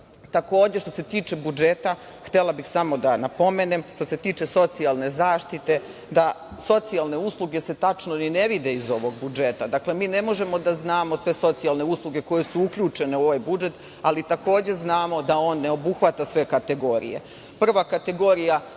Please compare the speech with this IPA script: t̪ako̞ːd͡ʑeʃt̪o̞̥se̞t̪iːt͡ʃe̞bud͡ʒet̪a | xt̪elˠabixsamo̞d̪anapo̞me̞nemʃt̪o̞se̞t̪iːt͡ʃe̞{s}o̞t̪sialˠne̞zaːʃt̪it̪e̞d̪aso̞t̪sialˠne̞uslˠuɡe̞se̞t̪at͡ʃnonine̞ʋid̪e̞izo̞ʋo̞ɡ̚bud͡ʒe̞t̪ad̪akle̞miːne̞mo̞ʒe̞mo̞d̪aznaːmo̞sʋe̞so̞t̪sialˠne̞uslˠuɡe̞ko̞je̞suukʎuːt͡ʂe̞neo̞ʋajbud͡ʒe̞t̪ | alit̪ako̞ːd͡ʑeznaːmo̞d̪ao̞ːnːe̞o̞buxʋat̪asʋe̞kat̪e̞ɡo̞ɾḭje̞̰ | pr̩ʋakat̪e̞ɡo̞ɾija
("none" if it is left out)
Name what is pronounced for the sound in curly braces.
s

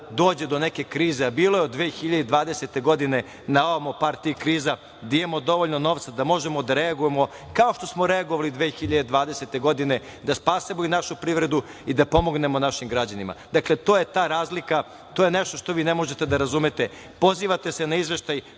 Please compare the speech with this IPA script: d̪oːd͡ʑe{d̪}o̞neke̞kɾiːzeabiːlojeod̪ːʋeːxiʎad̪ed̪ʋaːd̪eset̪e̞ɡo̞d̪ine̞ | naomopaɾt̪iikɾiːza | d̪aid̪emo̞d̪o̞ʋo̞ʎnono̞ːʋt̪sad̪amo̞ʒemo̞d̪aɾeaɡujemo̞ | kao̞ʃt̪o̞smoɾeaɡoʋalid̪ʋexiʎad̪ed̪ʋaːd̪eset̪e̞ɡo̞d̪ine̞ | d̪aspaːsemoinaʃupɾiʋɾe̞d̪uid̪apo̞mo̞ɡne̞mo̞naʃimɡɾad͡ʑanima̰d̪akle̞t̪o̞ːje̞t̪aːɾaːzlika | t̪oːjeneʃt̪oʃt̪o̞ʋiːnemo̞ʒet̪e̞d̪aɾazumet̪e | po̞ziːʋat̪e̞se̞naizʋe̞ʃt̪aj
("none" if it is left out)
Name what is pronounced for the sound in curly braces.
d̪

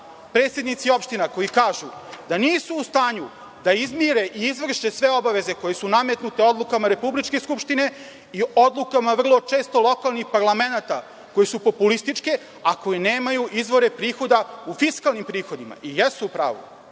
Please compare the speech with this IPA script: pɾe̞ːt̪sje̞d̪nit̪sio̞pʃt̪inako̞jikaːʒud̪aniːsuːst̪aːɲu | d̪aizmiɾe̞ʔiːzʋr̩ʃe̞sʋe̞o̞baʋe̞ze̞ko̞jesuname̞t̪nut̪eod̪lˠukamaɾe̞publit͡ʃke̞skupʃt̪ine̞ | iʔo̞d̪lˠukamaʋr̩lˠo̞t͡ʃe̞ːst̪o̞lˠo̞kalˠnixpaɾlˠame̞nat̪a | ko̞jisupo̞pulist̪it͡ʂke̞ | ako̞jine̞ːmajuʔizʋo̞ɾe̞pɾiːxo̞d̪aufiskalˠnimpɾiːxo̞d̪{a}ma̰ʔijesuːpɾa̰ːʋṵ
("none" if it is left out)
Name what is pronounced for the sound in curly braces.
i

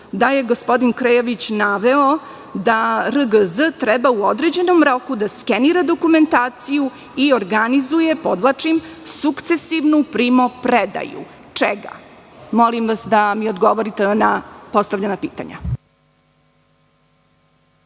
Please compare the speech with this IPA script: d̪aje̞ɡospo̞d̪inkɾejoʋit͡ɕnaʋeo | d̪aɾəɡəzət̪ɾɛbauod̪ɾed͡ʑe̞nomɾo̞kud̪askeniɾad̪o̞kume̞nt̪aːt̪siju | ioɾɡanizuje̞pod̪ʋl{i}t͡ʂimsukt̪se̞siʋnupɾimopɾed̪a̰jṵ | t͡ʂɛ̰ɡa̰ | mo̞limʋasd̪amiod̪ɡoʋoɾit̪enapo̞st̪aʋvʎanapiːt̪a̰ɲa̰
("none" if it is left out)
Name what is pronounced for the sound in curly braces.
a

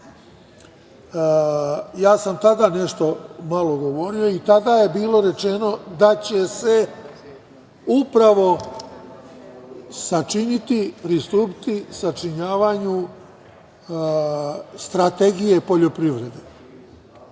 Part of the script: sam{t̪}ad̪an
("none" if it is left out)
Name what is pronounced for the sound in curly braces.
t̪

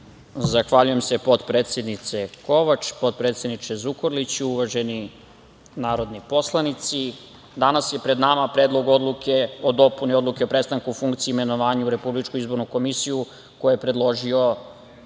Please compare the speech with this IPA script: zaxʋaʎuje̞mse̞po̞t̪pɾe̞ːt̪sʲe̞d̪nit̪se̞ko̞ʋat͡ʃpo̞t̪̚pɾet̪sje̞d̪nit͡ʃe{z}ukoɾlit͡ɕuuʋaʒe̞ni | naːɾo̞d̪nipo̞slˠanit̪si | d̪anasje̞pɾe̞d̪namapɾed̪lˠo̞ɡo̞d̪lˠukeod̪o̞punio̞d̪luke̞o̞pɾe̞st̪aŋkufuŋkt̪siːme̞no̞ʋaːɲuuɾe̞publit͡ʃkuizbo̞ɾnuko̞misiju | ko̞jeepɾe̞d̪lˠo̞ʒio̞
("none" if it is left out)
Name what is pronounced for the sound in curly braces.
z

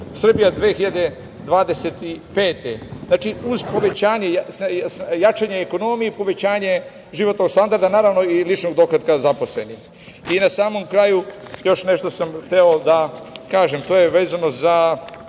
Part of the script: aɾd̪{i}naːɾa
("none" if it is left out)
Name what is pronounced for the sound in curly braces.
a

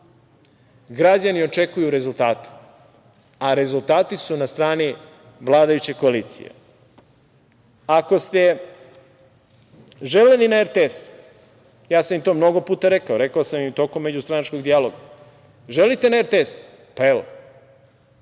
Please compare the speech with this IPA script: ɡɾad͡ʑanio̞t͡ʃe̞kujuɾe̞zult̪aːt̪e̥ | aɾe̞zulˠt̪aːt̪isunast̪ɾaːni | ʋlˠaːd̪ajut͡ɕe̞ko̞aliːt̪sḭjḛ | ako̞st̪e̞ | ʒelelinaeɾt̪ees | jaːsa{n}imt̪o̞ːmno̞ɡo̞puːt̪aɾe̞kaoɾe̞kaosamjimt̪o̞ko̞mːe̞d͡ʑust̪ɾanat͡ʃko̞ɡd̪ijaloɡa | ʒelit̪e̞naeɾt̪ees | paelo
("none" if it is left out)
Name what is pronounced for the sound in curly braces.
m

